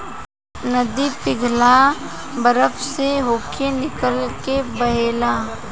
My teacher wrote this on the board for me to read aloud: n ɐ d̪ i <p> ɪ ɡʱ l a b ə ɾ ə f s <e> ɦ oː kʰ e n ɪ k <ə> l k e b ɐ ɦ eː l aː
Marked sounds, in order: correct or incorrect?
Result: correct, correct, correct

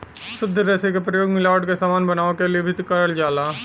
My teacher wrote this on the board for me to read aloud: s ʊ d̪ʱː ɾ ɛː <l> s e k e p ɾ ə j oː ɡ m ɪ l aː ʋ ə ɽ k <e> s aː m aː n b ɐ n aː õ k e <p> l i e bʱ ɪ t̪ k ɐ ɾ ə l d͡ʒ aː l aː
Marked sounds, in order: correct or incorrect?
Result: incorrect: none, correct, incorrect: none

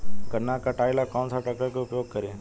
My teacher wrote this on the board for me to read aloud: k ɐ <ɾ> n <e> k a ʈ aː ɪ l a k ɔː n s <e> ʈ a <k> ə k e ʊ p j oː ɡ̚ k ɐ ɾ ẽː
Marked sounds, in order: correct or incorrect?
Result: correct, incorrect: a, incorrect: a, correct

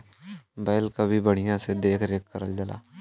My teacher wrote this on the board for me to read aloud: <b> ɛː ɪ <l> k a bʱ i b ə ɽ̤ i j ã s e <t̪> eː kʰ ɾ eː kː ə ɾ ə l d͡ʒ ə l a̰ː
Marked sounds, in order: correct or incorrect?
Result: correct, correct, incorrect: d̪

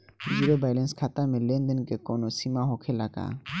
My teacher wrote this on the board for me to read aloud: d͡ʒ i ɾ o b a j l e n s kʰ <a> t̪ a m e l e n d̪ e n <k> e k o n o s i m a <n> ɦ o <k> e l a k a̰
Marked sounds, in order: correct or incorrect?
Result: correct, correct, incorrect: none, incorrect: kʰ

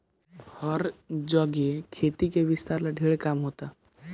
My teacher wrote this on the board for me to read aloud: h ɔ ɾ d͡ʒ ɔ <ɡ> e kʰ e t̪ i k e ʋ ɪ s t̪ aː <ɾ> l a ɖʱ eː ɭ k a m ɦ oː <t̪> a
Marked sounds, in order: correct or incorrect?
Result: correct, correct, correct

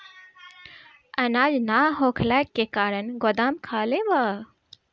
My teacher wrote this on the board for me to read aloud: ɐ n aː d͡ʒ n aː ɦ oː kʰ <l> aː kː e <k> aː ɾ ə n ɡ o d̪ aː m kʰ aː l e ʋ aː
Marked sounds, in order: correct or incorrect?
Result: correct, correct

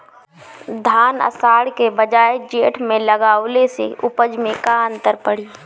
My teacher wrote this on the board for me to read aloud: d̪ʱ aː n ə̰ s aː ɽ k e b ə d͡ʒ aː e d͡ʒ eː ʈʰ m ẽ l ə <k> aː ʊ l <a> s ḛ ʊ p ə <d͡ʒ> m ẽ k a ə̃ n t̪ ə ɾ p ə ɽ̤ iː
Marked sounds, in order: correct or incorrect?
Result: incorrect: ɡ, incorrect: e, correct

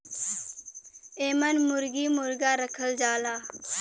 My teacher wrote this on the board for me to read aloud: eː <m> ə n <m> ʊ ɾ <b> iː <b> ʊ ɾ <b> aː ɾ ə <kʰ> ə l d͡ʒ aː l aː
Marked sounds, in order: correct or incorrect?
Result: correct, correct, incorrect: ɡ, incorrect: m, incorrect: ɡ, correct

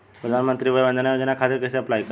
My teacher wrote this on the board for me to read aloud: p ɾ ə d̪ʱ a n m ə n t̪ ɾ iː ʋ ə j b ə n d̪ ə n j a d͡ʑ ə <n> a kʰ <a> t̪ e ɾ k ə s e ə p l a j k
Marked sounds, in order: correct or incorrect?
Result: correct, correct

